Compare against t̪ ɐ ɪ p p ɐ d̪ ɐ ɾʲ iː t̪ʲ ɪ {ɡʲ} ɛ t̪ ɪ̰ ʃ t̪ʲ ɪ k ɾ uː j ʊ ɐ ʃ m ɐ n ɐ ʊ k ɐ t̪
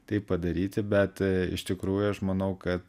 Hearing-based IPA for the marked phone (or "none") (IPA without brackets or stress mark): bʲ